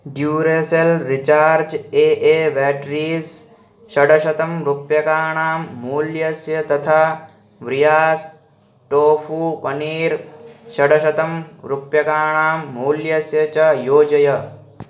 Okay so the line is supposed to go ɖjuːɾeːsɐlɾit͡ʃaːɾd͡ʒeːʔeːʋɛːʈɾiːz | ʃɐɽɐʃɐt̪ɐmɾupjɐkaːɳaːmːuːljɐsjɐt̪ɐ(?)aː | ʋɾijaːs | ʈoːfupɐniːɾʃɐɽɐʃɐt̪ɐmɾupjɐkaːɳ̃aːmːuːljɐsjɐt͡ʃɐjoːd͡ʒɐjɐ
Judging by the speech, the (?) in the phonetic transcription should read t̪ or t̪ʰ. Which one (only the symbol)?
t̪ʰ